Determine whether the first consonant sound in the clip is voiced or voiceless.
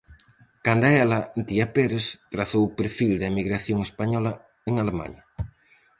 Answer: voiceless